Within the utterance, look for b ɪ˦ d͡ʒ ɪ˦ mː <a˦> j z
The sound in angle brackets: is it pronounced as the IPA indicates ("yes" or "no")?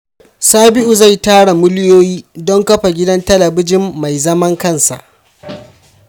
no